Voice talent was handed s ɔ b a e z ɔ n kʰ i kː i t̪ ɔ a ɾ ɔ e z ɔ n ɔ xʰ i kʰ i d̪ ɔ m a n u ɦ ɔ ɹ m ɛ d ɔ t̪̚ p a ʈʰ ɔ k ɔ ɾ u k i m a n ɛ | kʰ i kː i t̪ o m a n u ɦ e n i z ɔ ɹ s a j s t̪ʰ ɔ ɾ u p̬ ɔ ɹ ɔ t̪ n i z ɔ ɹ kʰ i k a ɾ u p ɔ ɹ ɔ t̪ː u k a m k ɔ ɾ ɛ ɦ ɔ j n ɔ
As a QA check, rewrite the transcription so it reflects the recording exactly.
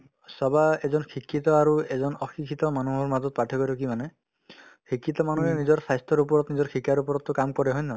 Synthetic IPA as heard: s ɔ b a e z ɔ n kʰ i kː i t̪ ɔ a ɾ u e z ɔ n ɔ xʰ i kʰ i t̪ ɔ m a n u ɦ ɔ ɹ m a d ɔ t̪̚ p a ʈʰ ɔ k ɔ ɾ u k i m a n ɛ | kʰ i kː i t̪ ɔ m a n u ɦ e n i z ɔ ɹ s a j s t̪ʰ ɔ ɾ u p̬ ɔ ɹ ɔ t̪ n i z ɔ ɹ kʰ i k a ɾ u p ɔ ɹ ɔ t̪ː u k a m k ɔ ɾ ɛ ɦ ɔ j n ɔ